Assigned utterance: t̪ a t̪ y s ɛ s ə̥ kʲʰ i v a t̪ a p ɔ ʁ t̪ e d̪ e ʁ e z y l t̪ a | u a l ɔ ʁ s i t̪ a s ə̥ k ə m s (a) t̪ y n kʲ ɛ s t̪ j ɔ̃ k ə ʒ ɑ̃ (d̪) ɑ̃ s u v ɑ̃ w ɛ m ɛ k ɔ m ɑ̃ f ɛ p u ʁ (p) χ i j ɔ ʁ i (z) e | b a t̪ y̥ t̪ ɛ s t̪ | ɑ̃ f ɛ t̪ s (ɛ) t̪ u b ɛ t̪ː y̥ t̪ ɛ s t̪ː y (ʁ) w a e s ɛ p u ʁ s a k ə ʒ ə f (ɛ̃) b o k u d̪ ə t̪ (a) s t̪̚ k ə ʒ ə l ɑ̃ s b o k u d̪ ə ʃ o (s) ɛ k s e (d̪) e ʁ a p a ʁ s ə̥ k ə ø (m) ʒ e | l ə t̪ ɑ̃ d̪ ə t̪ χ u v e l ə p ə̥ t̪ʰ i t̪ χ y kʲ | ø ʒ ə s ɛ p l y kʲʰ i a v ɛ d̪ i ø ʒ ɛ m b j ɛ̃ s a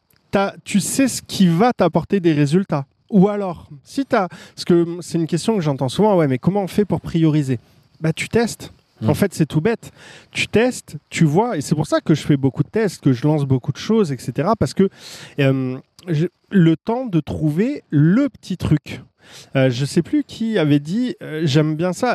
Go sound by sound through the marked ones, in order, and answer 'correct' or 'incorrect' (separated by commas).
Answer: incorrect, incorrect, correct, correct, correct, incorrect, incorrect, incorrect, incorrect, incorrect, correct